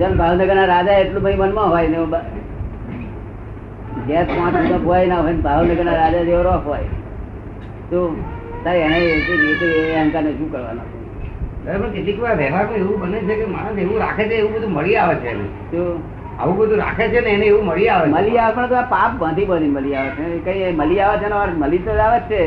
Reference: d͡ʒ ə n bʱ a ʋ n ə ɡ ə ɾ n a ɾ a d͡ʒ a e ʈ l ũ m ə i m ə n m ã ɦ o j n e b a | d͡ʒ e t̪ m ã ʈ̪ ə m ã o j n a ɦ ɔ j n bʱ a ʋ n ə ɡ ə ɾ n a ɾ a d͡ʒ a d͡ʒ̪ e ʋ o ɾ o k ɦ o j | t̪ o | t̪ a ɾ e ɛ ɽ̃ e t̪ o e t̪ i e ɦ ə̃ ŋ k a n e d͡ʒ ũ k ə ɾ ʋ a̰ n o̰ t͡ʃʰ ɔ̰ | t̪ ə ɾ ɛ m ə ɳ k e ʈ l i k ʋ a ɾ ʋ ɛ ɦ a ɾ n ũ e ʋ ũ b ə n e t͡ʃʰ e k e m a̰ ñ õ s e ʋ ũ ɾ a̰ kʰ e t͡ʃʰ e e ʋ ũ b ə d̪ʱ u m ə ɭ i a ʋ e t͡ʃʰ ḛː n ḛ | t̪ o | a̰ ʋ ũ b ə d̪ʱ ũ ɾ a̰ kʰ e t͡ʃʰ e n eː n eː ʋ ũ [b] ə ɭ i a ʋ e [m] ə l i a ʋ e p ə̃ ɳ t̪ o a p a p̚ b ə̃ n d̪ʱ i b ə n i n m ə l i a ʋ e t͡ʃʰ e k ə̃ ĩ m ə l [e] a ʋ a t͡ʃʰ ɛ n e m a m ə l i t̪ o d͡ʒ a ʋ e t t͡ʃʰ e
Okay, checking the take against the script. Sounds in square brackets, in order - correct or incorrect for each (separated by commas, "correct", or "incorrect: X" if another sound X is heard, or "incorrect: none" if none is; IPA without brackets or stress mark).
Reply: incorrect: m, correct, incorrect: i